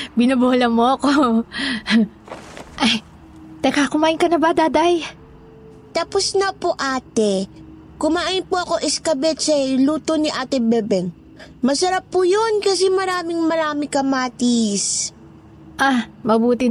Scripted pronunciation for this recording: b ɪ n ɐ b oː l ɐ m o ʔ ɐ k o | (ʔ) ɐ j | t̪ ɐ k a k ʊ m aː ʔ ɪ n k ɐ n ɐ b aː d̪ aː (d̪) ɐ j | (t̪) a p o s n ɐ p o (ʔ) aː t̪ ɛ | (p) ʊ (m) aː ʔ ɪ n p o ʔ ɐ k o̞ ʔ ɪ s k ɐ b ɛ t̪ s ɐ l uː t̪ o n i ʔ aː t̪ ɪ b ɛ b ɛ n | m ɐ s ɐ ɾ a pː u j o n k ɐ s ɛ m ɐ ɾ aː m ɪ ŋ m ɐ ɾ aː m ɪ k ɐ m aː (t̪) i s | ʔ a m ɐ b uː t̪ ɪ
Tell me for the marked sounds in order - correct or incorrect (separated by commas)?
correct, correct, correct, correct, incorrect, correct, correct